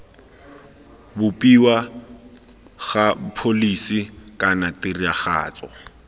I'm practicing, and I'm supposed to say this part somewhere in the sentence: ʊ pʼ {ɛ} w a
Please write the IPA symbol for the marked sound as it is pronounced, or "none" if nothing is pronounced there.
i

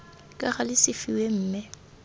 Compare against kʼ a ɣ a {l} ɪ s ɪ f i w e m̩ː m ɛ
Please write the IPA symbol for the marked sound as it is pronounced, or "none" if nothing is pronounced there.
l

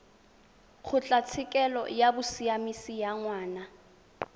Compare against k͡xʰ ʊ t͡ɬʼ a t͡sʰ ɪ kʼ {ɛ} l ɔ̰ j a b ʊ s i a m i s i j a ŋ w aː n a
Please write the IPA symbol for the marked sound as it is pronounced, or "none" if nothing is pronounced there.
ɛ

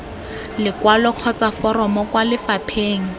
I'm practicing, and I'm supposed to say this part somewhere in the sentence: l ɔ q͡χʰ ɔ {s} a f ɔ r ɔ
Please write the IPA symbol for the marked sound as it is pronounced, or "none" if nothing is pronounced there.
t͡s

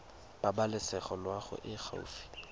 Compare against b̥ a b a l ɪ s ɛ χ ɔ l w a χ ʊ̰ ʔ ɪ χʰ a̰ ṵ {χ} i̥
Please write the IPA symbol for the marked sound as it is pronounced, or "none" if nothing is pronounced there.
f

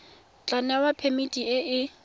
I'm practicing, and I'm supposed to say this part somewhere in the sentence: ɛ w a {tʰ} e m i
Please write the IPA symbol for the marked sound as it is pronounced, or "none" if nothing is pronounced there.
pʰ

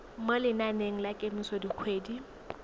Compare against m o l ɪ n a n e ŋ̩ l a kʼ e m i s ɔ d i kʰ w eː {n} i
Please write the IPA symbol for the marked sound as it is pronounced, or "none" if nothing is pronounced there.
d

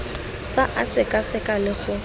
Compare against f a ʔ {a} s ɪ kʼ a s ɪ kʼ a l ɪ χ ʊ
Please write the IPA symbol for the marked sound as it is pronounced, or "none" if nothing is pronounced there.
a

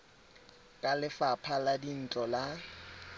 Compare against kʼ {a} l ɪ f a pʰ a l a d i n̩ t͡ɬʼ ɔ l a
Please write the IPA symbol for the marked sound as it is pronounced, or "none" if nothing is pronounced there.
a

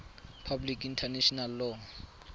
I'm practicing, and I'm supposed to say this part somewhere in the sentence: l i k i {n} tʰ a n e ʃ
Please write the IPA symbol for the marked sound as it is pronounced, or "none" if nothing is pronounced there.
n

